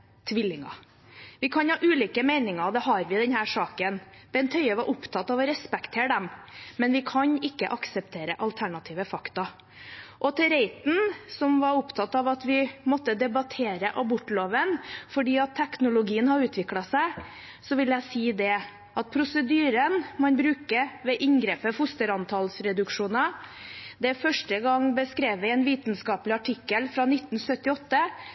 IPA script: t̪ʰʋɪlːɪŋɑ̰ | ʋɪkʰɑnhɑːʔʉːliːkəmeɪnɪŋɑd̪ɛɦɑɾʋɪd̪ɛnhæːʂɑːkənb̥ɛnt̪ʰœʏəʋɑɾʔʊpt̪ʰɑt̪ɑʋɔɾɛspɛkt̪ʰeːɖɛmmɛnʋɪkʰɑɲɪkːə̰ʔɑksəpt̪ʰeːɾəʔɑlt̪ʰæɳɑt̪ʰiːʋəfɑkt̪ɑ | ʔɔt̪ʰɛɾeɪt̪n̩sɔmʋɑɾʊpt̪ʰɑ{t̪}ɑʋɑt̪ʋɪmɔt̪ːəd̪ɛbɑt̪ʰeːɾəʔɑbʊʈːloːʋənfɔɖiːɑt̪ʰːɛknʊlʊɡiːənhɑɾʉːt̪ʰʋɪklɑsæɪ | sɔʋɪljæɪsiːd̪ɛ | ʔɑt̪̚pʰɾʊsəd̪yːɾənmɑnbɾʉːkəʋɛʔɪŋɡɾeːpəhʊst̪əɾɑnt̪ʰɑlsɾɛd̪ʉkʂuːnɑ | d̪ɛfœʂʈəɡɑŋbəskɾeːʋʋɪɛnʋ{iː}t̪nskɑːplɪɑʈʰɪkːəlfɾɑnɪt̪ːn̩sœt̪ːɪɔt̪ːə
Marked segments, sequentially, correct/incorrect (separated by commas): correct, correct